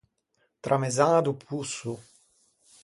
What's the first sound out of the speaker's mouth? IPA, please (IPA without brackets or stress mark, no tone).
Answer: t̪